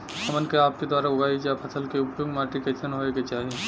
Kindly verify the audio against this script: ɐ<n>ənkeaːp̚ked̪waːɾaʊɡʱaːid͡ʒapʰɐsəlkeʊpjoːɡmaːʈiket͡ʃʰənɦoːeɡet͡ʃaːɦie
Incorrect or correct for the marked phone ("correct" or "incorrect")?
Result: incorrect